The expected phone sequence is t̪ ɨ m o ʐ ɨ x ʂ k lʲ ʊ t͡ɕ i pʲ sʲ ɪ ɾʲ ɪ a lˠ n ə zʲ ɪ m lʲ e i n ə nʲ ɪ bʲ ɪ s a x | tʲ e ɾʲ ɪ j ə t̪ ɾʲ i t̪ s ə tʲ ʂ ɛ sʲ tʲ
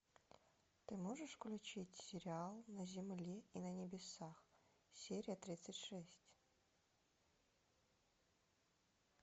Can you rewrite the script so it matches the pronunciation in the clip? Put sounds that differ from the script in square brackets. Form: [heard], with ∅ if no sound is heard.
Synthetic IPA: t̪ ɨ m o ʐ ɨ [∅] ʂ k lʲ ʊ t͡ɕ i [tʲ] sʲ ɪ ɾʲ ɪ a lˠ n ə zʲ ɪ m lʲ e i n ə nʲ ɪ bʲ ɪ s a x | [sʲ] e ɾʲ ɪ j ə t̪ ɾʲ i t̪ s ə tʲ ʂ ɛ sʲ tʲ